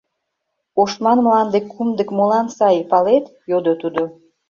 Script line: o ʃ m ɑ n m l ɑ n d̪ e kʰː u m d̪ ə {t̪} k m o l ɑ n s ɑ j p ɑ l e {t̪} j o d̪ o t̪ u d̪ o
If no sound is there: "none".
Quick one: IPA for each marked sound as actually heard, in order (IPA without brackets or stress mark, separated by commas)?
none, t̪